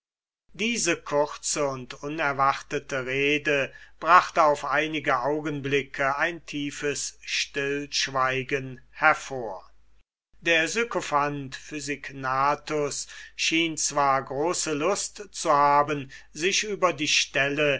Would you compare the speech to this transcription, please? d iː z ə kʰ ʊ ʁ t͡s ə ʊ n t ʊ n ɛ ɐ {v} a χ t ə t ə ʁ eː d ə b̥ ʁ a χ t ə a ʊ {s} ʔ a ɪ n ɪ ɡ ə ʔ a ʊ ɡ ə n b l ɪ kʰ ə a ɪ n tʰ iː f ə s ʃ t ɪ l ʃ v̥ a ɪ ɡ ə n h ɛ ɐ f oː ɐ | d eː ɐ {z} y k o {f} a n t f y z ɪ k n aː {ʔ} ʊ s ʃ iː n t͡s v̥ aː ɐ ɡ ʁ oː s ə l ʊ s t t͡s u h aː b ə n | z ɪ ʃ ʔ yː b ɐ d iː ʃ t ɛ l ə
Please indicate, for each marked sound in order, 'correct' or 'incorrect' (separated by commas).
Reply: correct, incorrect, correct, correct, incorrect